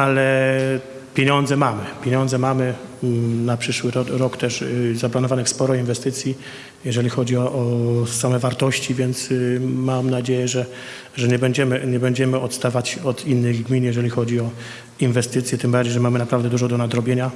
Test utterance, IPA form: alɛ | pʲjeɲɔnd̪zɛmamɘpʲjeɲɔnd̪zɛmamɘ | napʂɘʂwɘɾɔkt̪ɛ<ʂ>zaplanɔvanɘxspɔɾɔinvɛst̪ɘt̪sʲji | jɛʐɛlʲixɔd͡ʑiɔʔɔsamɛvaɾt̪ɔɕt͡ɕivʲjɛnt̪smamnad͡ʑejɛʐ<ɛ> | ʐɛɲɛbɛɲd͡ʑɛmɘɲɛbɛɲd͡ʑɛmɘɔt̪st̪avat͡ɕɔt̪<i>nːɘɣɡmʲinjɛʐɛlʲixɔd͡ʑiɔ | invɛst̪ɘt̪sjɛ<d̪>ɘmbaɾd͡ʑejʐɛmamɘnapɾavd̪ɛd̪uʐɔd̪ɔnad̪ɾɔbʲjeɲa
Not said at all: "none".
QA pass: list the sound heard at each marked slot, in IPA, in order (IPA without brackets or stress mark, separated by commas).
ʂ, ɛ, i, t̪